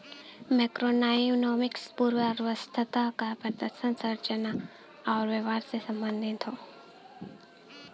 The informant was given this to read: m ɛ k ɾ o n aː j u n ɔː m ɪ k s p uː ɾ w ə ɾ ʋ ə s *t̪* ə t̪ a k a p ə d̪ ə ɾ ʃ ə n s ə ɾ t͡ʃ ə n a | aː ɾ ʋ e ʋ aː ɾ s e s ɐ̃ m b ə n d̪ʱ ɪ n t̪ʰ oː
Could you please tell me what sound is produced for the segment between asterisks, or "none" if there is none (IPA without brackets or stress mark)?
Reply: t̪ʰ